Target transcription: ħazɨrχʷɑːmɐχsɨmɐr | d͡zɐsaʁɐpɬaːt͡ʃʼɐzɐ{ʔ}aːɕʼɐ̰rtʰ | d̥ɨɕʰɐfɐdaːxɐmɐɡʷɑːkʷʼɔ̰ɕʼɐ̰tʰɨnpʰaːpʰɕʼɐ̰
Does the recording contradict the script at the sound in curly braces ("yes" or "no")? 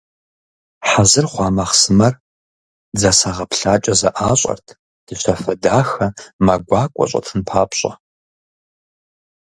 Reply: no